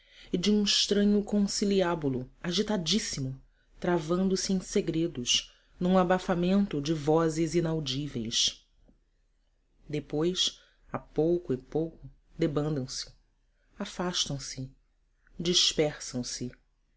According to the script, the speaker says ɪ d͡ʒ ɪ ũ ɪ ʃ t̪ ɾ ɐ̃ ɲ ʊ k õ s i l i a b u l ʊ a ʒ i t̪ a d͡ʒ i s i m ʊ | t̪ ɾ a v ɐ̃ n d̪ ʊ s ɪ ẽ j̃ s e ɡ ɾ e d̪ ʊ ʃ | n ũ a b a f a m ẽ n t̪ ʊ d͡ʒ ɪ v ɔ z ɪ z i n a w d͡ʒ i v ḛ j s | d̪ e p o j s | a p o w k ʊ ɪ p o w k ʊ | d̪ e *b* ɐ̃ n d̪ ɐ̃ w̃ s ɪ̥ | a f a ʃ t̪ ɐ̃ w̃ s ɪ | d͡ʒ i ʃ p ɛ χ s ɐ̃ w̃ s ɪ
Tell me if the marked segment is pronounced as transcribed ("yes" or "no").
yes